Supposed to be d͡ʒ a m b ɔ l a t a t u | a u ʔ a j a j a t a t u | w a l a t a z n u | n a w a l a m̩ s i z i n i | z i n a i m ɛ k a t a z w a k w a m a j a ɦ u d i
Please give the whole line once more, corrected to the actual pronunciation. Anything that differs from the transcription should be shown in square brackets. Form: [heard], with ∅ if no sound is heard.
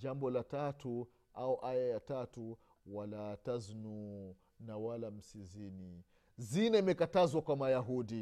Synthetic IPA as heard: d͡ʒ a m b ɔ l a t a t u | a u ʔ a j a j a t a t u | w a l a t a z n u | n a w a l a m̩ s i z i n i | z i n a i m ɛ k a t a z w a k w a m a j a ɦ u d i